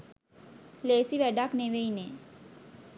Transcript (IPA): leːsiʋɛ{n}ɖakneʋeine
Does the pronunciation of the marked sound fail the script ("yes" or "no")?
yes